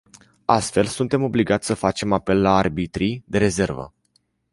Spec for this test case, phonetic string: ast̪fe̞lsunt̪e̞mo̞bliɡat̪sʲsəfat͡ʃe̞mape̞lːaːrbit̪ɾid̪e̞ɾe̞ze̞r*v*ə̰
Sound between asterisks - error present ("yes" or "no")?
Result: no